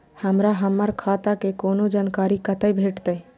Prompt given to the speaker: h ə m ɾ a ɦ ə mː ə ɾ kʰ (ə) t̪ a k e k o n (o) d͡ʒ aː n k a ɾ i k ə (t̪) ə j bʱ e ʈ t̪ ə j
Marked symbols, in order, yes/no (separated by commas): no, yes, yes